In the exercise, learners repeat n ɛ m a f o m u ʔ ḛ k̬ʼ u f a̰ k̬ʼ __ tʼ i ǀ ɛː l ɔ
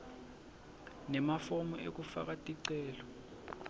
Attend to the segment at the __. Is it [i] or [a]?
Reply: a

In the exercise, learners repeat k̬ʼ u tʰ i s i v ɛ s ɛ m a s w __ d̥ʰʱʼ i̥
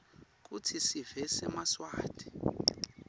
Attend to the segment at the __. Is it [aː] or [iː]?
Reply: aː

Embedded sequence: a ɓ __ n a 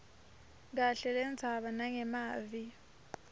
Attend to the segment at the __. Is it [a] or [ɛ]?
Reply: a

